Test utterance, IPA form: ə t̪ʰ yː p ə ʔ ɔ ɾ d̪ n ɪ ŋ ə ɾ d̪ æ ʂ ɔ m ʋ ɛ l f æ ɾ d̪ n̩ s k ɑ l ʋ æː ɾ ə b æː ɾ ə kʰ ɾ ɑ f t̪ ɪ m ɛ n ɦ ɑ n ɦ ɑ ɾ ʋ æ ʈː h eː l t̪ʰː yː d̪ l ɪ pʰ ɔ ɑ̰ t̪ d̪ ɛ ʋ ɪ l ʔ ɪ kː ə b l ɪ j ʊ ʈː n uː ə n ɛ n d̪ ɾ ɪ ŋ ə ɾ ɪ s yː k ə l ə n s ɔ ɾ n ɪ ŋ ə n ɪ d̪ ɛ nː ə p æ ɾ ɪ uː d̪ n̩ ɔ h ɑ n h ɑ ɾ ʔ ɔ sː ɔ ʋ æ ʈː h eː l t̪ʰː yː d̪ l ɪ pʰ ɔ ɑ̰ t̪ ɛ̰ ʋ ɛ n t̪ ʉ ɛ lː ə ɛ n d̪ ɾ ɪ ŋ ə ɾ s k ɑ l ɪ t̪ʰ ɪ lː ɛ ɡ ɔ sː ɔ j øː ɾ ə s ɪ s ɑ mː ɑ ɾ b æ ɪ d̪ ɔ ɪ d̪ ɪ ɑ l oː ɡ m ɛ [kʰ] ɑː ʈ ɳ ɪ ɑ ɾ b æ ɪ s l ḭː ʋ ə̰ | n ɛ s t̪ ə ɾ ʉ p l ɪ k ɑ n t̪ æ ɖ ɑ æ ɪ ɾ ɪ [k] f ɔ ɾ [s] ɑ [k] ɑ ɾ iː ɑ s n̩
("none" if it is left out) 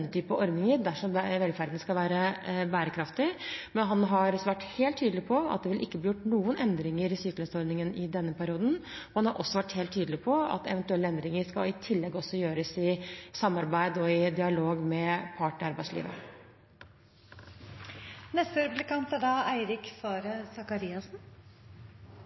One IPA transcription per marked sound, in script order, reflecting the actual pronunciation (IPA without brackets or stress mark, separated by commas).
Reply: pʰ, k, s, k